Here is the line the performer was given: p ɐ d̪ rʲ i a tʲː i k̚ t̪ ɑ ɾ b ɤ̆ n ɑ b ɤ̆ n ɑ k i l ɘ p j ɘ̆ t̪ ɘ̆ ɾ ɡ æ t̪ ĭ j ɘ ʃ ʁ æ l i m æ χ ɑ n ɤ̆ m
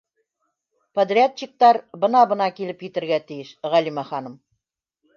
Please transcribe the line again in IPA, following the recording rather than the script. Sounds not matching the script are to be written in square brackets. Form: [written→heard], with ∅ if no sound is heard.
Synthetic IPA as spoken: p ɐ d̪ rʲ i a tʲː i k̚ t̪ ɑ ɾ b ɤ̆ n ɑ b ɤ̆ n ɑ k i l ɘ p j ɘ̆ t̪ ɘ̆ ɾ ɡ æ t̪ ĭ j ɘ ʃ ʁ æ l i m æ χ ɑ n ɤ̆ m